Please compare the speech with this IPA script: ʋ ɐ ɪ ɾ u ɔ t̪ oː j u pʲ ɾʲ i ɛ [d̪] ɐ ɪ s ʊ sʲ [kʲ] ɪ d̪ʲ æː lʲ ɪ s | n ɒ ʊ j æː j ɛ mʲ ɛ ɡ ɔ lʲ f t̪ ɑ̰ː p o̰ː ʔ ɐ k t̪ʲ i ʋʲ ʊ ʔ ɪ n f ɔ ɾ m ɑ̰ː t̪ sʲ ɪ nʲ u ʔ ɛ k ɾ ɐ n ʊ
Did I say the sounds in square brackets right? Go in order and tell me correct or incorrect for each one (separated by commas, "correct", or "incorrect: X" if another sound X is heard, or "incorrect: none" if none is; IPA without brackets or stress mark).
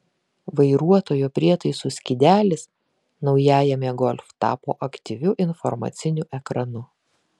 incorrect: t̪, correct